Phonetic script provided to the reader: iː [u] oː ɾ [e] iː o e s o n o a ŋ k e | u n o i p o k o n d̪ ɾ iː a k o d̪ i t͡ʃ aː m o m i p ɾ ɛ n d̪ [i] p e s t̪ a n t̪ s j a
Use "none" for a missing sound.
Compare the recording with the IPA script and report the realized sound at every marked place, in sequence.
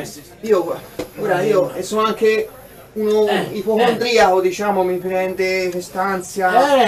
o, a, e

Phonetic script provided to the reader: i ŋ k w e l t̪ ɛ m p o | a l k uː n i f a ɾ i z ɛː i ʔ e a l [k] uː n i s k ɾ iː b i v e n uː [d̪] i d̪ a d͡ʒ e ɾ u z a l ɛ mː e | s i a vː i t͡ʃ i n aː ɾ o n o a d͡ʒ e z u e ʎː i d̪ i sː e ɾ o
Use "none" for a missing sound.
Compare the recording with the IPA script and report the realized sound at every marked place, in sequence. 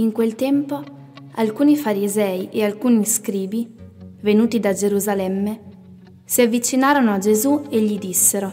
k, t̪

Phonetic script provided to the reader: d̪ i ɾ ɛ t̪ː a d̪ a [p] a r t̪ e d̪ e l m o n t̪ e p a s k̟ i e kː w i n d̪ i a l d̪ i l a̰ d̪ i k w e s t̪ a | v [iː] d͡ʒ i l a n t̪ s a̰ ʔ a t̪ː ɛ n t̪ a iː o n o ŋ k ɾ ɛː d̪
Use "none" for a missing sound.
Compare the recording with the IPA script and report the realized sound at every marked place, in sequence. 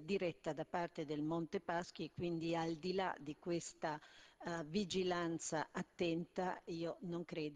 p, i

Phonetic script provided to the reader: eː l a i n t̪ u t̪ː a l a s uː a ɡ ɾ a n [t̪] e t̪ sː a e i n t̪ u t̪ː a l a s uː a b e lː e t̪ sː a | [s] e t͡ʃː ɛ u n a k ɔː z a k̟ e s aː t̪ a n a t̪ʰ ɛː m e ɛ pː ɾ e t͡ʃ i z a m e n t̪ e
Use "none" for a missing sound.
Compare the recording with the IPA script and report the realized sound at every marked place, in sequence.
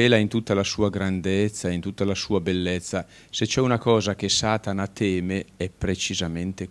d̪, s

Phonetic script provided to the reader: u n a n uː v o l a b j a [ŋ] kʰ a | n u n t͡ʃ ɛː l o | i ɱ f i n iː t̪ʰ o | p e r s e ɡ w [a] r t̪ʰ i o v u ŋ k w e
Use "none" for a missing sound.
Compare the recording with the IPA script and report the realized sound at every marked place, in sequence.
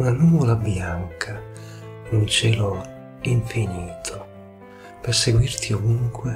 ŋ, i

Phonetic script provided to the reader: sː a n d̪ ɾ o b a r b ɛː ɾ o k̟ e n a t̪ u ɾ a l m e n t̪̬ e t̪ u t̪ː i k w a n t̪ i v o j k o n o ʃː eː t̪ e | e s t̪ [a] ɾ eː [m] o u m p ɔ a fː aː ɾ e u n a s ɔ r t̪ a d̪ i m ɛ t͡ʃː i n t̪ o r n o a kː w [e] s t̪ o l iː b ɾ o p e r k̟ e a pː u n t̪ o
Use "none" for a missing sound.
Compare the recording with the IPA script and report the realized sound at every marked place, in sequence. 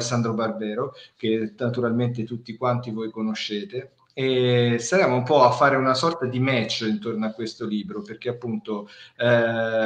a, m, e

